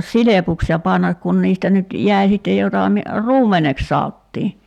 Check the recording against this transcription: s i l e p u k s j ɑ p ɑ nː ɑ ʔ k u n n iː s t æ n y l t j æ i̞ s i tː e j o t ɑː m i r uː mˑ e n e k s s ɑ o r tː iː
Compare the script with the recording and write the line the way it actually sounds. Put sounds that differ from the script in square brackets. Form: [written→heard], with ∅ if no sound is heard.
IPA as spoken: s i l e p u k s j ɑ p ɑ nː ɑ [ʔ→k] k u n n iː s t æ n y [l→∅] t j æ i̞ s i tː e j o t [ɑː→ɑ] m i r uː mˑ e n e k s s ɑ o [r→∅] tː iː